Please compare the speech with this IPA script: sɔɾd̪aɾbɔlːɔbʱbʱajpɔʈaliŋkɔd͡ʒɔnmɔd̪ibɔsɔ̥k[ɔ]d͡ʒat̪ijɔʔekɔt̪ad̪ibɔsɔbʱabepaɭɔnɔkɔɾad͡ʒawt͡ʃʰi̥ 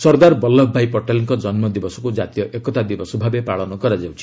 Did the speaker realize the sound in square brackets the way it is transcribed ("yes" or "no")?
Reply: no